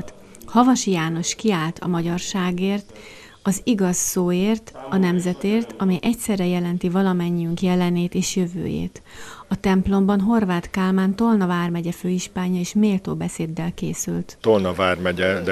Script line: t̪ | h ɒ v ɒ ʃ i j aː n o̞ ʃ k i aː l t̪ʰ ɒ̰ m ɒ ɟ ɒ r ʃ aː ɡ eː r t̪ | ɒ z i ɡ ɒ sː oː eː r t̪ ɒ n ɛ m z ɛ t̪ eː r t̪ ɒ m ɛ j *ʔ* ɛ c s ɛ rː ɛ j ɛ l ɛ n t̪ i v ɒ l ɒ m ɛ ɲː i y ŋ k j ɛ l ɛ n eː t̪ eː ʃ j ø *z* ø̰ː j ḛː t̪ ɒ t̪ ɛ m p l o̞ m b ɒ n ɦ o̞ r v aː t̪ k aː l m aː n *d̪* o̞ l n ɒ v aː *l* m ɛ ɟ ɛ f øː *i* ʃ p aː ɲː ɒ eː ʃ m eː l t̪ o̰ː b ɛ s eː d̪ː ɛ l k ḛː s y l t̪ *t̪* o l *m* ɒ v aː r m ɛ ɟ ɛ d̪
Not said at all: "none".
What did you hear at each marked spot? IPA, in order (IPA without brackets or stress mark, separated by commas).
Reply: ʔ, v, t̪, r, i, t̪, n